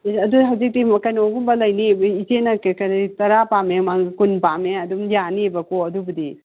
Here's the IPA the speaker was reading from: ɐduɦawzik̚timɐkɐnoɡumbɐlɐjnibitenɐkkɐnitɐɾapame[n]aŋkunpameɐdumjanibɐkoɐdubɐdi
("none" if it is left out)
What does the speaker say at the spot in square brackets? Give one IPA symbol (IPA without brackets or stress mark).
m